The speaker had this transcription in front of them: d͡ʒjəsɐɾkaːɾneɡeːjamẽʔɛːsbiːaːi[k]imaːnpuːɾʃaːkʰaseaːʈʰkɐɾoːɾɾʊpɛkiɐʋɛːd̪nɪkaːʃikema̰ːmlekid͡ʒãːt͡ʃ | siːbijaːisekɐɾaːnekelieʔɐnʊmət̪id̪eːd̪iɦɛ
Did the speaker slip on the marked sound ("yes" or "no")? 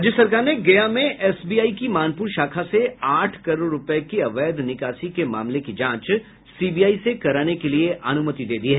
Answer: no